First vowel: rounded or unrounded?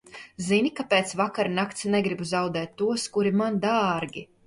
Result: unrounded